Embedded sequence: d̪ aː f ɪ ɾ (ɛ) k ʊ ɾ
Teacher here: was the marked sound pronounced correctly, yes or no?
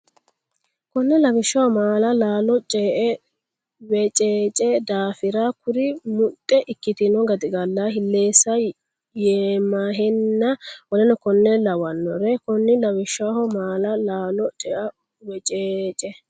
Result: no